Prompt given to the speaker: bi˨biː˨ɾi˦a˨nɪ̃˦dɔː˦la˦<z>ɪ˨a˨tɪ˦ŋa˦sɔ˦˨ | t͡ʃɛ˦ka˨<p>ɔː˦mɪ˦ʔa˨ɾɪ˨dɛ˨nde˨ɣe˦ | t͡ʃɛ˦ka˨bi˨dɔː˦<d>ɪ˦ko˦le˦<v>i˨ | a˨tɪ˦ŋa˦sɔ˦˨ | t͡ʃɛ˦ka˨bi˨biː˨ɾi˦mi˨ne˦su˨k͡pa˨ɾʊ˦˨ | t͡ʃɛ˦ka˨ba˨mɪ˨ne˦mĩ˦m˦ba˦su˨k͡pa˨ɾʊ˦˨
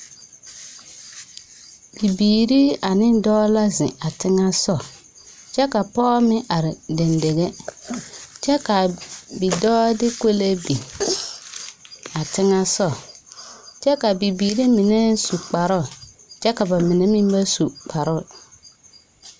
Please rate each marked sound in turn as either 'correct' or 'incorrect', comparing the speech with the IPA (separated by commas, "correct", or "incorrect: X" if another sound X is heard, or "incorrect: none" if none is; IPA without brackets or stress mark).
correct, correct, correct, incorrect: b